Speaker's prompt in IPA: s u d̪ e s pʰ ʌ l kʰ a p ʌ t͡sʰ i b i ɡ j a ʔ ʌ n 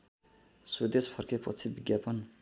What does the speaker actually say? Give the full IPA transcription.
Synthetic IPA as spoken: s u d̪ e s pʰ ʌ r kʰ e p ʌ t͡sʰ i b i ɡ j a p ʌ n